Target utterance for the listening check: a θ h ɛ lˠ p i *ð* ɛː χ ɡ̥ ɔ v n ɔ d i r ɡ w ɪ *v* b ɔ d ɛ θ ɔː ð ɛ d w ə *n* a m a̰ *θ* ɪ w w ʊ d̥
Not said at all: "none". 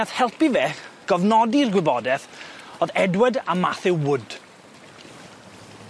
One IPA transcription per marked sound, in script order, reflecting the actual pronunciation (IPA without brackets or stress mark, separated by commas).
v, none, d, θ